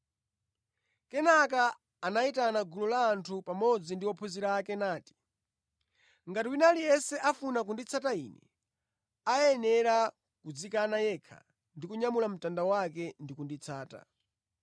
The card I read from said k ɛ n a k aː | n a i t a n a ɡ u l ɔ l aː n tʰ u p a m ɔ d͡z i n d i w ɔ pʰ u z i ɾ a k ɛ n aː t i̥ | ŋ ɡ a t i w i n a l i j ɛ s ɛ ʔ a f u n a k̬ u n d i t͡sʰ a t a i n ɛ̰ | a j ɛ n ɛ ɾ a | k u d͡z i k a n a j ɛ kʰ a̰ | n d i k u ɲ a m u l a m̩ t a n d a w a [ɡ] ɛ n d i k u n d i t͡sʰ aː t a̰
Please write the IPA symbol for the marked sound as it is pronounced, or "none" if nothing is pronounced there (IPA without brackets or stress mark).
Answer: k